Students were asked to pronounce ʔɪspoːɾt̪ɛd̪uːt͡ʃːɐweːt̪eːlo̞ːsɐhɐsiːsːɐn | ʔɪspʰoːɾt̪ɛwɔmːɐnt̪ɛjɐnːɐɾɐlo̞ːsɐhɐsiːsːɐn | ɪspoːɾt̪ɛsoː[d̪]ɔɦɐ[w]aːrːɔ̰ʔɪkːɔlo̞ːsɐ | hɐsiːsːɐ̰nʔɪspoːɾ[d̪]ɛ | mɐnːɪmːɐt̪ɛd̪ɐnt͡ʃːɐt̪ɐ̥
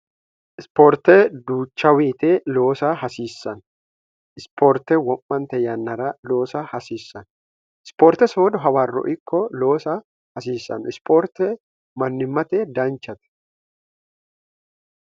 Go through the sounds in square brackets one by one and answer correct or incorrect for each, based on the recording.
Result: correct, correct, incorrect: t̪

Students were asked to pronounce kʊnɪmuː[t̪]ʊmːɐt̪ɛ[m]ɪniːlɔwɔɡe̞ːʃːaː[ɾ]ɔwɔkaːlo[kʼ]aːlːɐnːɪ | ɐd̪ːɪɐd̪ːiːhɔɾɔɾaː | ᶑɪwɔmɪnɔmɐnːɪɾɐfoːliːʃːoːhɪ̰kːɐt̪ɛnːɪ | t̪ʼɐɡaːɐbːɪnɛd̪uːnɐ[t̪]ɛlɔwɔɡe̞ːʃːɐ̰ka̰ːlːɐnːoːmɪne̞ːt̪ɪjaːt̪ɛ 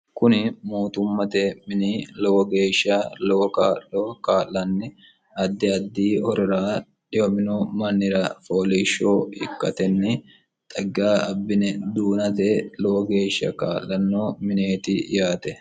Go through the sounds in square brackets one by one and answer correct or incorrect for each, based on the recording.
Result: correct, correct, incorrect: l, incorrect: k, correct

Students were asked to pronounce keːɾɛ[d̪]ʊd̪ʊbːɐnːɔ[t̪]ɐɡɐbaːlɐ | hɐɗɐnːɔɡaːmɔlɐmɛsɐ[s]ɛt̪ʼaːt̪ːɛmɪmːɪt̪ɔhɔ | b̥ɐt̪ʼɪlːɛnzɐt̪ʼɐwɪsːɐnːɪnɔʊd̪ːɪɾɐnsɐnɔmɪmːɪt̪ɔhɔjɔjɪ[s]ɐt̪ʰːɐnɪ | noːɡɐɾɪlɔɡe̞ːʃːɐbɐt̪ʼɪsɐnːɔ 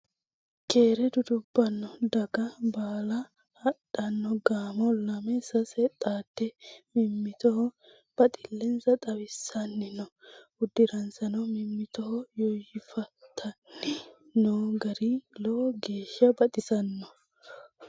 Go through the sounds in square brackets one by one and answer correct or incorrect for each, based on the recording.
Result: correct, incorrect: d̪, correct, incorrect: f

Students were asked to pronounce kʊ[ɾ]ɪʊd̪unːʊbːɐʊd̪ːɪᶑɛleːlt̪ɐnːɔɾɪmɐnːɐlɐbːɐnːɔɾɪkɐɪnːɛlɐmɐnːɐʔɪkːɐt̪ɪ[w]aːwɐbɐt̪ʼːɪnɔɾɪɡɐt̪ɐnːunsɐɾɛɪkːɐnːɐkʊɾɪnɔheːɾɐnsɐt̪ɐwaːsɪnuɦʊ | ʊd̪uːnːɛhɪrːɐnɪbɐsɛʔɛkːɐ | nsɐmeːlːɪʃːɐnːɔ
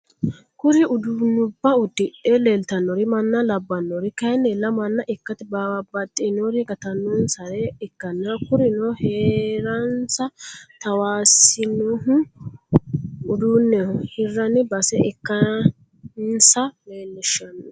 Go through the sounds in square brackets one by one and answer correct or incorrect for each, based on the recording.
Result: correct, incorrect: b

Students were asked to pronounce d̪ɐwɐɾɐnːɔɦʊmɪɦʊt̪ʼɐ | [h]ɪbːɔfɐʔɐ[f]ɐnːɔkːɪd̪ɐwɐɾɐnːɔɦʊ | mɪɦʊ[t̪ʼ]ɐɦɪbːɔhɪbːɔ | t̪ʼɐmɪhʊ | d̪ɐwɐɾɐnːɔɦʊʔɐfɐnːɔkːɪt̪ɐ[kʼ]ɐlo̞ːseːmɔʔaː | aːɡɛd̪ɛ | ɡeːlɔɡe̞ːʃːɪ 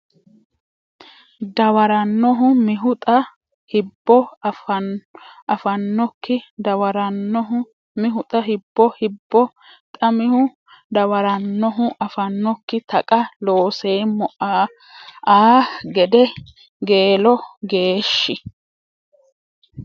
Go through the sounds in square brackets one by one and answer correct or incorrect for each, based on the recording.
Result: correct, correct, correct, correct

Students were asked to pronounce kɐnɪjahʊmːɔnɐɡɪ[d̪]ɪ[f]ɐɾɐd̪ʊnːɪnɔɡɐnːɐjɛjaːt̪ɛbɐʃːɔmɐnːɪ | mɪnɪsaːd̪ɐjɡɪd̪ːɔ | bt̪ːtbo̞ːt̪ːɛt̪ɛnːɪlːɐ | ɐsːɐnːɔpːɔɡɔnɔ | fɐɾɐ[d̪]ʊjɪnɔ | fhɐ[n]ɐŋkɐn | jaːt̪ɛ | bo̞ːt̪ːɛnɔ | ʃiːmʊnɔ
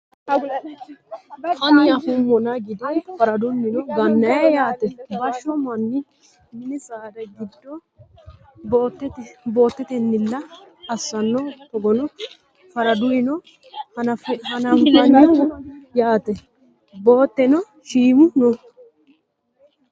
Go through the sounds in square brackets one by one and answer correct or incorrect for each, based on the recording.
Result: correct, correct, correct, correct

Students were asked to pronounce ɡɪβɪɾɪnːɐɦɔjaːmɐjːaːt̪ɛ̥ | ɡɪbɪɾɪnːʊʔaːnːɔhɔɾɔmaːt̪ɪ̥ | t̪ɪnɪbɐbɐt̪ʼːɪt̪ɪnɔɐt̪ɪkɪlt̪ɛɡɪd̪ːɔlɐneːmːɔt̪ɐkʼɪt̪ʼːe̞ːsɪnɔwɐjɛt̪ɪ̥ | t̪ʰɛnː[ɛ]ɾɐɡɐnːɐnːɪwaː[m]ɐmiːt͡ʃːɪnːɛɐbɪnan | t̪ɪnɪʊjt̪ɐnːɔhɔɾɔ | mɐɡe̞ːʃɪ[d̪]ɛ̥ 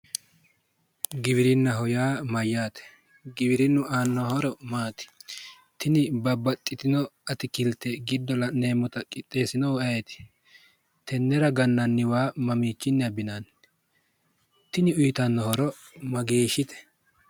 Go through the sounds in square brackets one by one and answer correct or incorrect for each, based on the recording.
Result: correct, correct, incorrect: t̪

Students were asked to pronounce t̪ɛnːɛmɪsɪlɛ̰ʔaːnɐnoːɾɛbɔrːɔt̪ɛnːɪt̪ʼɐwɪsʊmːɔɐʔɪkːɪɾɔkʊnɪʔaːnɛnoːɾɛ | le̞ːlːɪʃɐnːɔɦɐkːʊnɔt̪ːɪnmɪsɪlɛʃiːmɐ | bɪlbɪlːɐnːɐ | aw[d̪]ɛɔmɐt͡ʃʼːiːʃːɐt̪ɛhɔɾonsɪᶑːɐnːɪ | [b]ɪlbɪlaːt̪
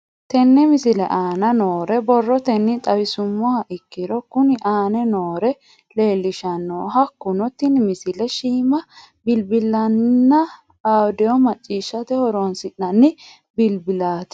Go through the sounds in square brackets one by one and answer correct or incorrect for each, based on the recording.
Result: correct, correct

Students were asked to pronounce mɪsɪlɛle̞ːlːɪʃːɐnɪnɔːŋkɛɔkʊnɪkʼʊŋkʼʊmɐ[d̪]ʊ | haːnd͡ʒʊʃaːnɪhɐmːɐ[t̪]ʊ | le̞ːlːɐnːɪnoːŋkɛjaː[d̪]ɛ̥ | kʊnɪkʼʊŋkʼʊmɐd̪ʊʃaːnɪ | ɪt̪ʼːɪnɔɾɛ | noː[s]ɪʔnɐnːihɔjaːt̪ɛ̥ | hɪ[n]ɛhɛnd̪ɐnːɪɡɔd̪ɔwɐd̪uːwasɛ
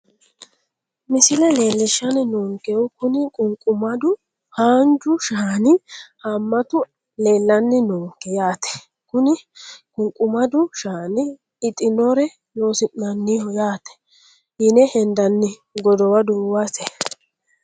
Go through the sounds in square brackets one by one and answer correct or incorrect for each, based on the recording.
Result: correct, correct, incorrect: t̪, correct, correct

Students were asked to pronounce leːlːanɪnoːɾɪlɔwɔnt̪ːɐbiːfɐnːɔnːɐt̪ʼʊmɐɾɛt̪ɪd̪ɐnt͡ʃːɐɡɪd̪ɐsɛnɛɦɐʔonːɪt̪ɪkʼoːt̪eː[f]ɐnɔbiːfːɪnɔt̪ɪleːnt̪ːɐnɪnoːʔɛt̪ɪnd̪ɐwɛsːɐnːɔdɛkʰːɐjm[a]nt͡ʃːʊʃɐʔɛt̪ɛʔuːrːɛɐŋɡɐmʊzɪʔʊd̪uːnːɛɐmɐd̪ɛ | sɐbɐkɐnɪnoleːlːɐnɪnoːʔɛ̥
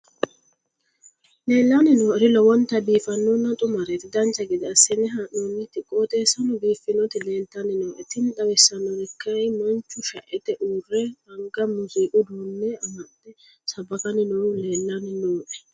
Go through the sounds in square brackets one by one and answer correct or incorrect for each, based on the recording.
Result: incorrect: s, incorrect: ɐ

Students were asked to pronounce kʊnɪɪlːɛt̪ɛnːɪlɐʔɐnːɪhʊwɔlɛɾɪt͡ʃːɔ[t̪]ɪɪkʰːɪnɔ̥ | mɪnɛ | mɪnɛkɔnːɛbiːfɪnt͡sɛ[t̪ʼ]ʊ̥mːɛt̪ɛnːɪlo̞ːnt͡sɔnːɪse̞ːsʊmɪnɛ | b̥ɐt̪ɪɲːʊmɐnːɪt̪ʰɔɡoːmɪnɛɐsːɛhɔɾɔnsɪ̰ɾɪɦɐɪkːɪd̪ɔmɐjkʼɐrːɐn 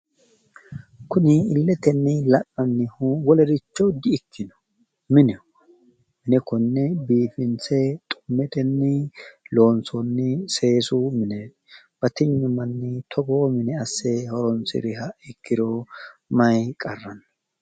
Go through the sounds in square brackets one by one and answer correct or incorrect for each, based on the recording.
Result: incorrect: d̪, correct

